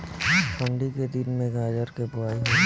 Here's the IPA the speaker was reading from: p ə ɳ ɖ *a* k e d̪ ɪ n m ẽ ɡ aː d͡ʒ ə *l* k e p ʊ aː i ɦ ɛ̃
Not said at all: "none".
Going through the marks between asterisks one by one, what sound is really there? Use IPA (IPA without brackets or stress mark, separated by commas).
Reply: i, ɾ